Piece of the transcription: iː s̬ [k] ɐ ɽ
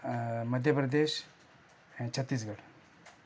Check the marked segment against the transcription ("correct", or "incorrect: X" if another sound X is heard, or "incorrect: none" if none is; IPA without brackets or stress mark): incorrect: ɡ